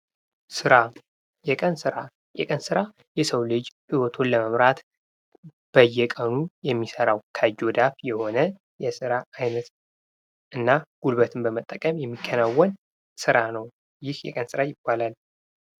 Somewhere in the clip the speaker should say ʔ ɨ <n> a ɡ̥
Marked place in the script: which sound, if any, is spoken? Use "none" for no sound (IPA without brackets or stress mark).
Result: nː